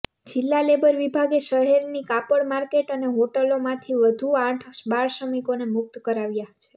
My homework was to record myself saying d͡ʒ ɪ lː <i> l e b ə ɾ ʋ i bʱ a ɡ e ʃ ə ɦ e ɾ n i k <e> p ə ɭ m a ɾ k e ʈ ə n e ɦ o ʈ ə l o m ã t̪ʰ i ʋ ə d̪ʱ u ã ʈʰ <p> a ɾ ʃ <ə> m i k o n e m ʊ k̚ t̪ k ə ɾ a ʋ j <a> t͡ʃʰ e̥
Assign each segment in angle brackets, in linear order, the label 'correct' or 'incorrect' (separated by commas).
incorrect, incorrect, incorrect, correct, correct